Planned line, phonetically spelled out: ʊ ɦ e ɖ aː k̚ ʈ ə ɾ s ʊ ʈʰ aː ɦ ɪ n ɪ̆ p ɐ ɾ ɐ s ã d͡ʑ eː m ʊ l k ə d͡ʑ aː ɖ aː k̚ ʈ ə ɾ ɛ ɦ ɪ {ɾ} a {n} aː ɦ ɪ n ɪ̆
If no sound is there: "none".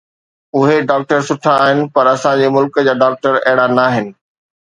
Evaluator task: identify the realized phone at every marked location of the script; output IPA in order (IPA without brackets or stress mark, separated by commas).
ɽ, n